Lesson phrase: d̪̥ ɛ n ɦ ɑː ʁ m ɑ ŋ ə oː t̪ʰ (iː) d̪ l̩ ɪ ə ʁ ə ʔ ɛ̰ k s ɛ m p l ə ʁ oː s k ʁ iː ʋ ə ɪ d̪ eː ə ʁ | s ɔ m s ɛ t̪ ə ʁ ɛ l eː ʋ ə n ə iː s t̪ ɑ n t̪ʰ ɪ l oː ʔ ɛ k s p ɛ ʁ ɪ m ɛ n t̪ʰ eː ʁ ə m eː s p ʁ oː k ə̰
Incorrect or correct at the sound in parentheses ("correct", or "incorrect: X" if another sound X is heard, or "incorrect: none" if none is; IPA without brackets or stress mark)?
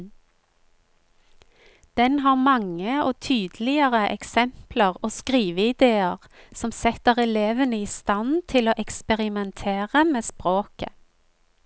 incorrect: yː